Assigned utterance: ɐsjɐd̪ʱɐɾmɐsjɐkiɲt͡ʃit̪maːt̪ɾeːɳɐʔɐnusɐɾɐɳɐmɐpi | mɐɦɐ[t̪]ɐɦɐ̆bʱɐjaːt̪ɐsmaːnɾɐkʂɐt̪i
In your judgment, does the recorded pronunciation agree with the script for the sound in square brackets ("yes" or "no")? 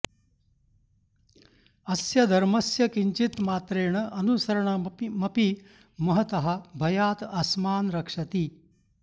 yes